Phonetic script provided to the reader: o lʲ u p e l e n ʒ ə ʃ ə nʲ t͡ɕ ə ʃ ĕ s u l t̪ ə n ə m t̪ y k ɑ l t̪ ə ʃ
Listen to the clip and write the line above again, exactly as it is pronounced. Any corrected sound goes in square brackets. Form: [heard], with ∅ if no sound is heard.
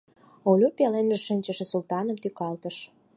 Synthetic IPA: o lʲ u p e l e n ʒ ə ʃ ə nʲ t͡ɕ ə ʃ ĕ s u l t̪ [ɑ] n ə m t̪ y k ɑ l t̪ ə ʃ